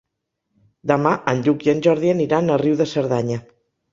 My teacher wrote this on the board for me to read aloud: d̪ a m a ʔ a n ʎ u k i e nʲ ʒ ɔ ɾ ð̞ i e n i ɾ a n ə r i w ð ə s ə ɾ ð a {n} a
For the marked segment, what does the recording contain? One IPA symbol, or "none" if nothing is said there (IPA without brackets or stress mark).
ɲ